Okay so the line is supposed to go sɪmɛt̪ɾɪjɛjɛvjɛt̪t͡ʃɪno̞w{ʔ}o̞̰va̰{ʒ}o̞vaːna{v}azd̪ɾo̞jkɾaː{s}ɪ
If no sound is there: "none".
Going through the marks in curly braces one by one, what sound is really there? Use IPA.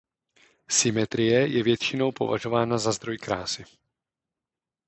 p, ʒ, z, s

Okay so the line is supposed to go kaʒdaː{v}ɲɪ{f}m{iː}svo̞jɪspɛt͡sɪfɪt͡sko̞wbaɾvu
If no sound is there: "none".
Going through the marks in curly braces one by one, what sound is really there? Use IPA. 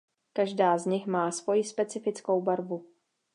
z, x, aː

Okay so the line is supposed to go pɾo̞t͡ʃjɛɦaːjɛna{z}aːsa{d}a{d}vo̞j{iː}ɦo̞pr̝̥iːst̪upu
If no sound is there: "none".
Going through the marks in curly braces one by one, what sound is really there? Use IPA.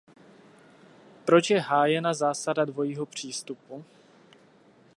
z, d, d, iː

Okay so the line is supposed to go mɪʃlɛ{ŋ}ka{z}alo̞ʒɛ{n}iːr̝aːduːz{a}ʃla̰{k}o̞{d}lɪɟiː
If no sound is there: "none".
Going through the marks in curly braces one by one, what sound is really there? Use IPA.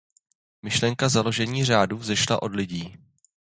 ŋ, z, ɲ, ɛ, ʔ, d

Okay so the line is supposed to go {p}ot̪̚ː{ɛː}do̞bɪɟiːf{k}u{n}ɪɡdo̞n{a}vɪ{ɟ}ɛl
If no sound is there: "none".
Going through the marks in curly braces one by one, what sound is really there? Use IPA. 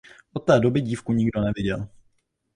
ʔ, ɛː, k, ɲ, ɛ, ɟ

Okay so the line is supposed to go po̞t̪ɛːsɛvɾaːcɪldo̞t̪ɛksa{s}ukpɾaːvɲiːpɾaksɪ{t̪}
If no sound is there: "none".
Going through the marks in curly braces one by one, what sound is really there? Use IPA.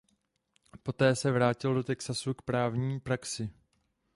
s, none

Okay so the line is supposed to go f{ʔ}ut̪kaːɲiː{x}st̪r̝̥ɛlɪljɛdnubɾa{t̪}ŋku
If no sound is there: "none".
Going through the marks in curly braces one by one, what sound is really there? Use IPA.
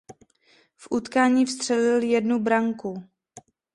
ʔ, f, none

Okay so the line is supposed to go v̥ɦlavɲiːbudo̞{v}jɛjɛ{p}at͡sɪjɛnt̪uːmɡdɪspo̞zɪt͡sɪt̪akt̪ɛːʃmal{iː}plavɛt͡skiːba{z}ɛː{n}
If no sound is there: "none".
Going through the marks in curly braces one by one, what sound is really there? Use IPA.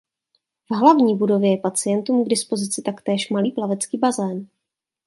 v, p, iː, z, n

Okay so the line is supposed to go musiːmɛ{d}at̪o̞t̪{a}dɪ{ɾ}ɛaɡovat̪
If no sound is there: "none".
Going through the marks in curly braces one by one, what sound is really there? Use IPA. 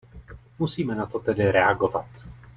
n, ɛ, ɾ

